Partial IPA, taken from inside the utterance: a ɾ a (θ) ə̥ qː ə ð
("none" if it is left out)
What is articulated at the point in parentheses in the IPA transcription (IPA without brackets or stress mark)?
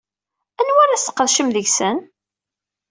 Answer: s